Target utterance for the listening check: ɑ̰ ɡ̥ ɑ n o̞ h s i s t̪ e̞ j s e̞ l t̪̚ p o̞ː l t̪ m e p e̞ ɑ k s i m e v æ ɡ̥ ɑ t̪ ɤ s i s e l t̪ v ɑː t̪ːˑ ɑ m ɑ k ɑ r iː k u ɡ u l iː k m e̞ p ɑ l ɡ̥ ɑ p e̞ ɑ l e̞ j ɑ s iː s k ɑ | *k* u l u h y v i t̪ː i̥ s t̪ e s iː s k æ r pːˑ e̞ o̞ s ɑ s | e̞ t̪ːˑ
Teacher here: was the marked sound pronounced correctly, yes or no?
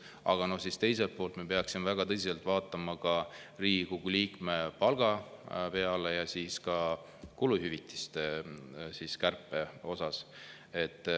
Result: yes